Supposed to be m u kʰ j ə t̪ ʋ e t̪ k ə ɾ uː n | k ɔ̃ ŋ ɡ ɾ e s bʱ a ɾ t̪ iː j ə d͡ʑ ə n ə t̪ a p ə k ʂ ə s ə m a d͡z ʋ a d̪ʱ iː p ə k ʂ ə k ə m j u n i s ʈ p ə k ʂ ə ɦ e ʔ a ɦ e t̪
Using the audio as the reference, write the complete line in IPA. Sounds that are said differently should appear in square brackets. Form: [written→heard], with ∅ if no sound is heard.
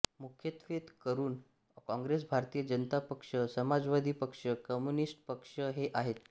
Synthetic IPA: m u kʰ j ə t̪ ʋ e t̪ k ə ɾ uː n | k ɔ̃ ŋ ɡ ɾ e s bʱ a ɾ t̪ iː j ə d͡ʑ ə n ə t̪ a p ə k ʂ ə s ə m a d͡z ʋ a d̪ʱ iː p ə k ʂ ə k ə m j u n i s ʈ p ə k ʂ ə ɦ e ʔ a ɦ e t̪